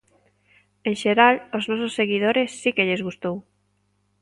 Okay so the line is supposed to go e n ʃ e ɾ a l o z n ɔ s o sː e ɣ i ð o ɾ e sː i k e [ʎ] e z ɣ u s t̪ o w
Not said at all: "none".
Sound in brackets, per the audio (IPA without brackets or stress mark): ʎ